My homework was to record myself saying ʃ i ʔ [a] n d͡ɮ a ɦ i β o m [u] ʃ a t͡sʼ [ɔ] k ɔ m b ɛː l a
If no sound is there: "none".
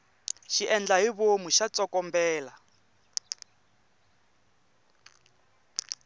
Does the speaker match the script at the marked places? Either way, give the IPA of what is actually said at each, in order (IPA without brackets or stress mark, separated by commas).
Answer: ɛ, u, ɔ